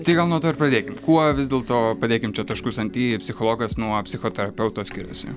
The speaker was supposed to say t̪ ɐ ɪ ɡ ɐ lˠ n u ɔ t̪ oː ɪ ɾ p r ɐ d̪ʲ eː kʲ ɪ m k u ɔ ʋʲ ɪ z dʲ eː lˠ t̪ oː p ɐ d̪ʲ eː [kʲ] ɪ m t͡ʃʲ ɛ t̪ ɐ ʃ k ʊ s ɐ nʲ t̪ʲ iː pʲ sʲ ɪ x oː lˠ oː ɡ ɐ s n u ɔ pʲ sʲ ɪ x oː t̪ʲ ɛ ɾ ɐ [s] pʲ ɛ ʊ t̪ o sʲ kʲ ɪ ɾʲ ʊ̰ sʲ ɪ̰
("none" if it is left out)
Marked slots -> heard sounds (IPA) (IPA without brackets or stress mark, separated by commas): kʲ, none